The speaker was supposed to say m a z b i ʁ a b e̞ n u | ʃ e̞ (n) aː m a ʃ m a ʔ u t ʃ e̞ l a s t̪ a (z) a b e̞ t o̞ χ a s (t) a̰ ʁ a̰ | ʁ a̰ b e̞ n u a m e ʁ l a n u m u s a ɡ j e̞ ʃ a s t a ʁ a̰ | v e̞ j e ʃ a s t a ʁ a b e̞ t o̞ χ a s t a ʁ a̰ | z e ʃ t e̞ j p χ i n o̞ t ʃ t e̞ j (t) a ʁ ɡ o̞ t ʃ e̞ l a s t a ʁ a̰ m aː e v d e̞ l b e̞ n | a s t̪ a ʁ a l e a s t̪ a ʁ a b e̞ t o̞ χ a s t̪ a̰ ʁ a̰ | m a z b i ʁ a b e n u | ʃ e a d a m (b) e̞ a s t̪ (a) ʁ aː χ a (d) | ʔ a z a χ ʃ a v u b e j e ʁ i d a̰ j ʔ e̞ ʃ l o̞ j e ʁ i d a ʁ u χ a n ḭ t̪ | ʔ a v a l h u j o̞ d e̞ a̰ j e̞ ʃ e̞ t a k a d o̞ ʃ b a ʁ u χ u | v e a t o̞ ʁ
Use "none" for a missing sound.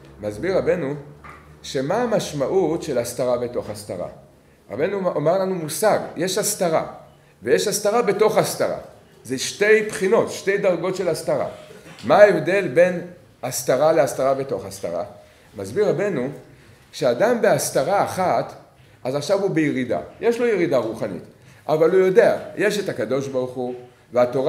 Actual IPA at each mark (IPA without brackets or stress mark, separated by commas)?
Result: m, ʁ, t, d, b, a, t